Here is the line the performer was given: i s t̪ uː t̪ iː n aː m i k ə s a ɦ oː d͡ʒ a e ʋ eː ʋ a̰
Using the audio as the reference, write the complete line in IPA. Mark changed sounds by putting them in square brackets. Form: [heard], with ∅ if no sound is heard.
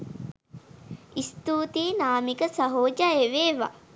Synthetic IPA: i s t̪ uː t̪ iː n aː m i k ə s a ɦ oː d͡ʒ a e ʋ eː ʋ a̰

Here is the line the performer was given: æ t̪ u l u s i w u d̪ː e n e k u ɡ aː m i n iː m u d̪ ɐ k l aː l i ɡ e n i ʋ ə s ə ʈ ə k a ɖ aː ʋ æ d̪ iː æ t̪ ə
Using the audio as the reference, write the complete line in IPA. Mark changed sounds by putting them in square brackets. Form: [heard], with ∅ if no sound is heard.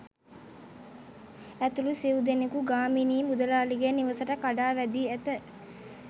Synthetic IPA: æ t̪ u l u s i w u [d̪] e n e k u ɡ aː m i n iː m u d̪ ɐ [∅] l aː l i ɡ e n i ʋ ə s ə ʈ ə k a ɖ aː ʋ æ d̪ iː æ t̪ ə

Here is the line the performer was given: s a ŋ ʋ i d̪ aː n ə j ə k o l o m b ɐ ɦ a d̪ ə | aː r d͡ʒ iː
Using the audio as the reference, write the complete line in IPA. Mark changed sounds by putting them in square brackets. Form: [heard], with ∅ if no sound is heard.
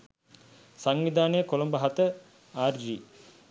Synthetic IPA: s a ŋ ʋ i d̪ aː n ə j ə k o l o m b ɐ ɦ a [t̪] ə | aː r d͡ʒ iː

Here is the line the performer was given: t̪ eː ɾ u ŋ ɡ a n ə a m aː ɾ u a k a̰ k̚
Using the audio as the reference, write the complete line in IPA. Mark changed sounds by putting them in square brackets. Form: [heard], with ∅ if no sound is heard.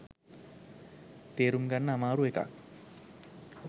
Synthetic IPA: t̪ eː ɾ u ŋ ɡ a [nː] ə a m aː ɾ u [e] k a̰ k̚

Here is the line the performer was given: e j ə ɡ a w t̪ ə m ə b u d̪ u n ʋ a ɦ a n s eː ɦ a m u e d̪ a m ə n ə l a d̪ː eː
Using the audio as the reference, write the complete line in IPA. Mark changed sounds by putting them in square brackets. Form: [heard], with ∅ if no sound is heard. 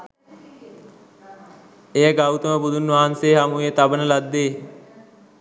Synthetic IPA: e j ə ɡ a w t̪ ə m ə b u d̪ u n ʋ a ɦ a n s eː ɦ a m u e [t̪] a [b] ə n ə l a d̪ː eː

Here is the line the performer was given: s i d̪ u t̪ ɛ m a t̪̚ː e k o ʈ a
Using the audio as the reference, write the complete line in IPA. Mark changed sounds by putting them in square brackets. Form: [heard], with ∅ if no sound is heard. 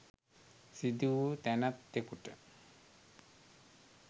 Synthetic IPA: s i d̪ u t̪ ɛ [n] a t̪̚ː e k [u] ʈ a

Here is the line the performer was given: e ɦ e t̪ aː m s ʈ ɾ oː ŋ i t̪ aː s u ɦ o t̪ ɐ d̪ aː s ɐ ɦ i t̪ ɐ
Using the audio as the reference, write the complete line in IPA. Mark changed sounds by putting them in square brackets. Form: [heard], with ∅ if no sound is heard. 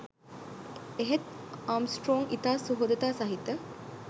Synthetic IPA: e ɦ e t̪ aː m s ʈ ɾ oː ŋ i t̪ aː s u ɦ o [d̪] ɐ [t̪] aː s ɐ ɦ i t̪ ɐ

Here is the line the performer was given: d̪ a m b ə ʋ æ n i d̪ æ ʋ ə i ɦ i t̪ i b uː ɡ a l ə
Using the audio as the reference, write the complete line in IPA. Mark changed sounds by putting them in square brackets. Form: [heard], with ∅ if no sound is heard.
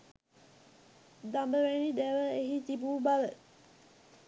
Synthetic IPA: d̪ a m b ə ʋ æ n i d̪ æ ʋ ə [e] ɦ i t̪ i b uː [b] a l ə

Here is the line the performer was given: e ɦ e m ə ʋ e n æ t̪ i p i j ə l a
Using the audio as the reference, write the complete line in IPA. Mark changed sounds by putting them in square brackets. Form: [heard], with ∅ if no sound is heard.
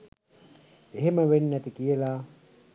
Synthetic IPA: e ɦ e m ə ʋ e [nː] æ t̪ i [k] i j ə l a

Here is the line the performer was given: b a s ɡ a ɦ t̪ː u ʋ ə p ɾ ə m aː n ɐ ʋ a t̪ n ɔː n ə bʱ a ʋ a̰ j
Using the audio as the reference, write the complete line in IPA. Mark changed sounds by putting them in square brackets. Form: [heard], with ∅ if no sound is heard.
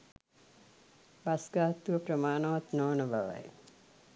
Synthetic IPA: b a s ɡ a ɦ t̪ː u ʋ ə p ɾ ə m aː n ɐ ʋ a t̪ n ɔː n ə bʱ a ʋ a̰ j

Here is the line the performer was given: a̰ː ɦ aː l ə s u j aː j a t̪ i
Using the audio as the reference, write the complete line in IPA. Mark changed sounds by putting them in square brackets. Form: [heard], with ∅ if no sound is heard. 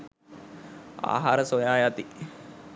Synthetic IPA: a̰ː ɦ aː [ɾ] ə s [o] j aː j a t̪ i

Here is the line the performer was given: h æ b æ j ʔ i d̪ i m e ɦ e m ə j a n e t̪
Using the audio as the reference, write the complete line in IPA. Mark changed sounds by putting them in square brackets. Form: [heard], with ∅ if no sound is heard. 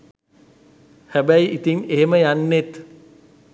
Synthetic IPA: h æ b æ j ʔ i [t̪] i [ŋ] e ɦ e m ə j a [nː] e t̪

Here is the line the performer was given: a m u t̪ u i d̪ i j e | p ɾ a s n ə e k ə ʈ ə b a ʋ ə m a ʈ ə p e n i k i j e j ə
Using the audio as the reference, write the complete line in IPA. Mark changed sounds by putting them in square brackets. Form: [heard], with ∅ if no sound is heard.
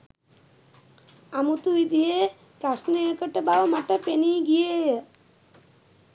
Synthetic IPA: a m u t̪ u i d̪ i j e | p ɾ a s n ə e k ə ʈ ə b a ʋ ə m a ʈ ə p e n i [ɡ] i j e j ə

